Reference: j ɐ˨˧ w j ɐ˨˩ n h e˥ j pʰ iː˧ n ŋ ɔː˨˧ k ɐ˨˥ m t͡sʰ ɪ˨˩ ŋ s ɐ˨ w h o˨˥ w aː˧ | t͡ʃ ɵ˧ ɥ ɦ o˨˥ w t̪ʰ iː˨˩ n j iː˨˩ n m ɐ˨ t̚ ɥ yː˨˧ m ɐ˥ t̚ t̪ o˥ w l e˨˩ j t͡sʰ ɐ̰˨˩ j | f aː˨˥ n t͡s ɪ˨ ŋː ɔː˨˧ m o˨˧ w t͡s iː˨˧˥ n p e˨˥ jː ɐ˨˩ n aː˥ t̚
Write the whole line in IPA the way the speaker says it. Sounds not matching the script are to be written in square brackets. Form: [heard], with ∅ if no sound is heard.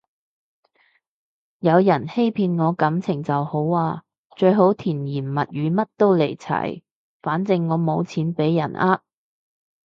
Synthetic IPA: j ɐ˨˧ w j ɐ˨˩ n h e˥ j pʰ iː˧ n ŋ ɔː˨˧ k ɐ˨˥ m t͡sʰ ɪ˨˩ ŋ [t͡s] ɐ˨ w h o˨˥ w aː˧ | t͡ʃ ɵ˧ ɥ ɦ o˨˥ w t̪ʰ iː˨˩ n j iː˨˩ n m ɐ˨ t̚ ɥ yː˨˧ m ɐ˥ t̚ t̪ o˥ w l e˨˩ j t͡sʰ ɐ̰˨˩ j | f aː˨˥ n t͡s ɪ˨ ŋː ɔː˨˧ m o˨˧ w [t͡sʰ] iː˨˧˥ n p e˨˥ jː ɐ˨˩ n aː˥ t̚